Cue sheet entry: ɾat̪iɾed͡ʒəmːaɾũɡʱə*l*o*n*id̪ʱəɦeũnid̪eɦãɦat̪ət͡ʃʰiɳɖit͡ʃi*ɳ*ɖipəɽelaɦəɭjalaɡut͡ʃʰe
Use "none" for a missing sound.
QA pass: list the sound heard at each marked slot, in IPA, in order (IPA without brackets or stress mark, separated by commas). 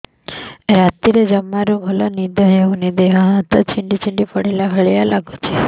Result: l, n, ɳ